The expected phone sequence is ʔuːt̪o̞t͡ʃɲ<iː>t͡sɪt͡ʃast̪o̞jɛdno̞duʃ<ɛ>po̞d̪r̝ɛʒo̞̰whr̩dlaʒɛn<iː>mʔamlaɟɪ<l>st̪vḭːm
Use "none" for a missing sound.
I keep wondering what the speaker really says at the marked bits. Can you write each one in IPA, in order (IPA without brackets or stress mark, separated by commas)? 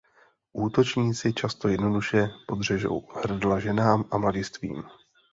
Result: iː, ɛ, aː, none